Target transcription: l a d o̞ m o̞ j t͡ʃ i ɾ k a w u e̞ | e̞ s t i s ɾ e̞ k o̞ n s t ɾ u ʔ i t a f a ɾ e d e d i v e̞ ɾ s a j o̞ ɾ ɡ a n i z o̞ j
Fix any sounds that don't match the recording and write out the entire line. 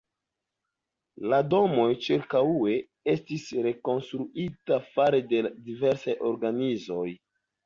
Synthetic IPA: l a d o̞ m o̞ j t͡ʃ i ɾ k a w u e̞ | e̞ s t i s ɾ e̞ k o̞ n s t ɾ u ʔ i t a f a ɾ e d e d i v e̞ ɾ s a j o̞ ɾ ɡ a n i z o̞ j